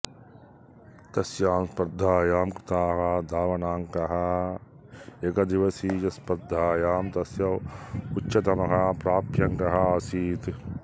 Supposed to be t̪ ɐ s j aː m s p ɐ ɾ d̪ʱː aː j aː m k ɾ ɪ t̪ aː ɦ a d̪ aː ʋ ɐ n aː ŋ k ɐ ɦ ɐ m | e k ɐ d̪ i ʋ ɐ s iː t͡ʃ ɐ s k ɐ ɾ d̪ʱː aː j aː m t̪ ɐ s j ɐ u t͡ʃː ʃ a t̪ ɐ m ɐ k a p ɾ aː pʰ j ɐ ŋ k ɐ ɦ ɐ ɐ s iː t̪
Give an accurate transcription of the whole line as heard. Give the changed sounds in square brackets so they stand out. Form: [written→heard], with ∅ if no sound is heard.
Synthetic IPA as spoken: t̪ ɐ s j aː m s p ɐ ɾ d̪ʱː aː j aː m k ɾ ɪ t̪ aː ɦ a d̪ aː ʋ ɐ n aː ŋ k ɐ ɦ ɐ [m→∅] | e k ɐ d̪ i ʋ ɐ s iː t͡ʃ ɐ s [k→p] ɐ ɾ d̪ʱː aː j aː m t̪ ɐ s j ɐ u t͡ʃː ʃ [a→ɐ] t̪ ɐ m ɐ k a p ɾ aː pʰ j ɐ ŋ k ɐ ɦ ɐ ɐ s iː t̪